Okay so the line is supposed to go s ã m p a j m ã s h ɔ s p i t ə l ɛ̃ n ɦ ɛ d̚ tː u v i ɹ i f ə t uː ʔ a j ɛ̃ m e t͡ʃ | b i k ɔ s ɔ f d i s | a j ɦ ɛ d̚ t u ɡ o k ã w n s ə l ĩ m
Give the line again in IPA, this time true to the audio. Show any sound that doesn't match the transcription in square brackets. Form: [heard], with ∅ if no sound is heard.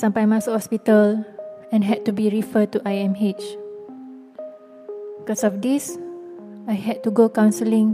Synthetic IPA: s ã m p a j m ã s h ɔ s p i t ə l ɛ̃ n ɦ ɛ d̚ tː u [b] i ɹ i f ə t [u] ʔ a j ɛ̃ m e t͡ʃ | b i k ɔ s ɔ f d i s | a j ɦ ɛ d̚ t u ɡ o k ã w n s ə l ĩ [ŋ]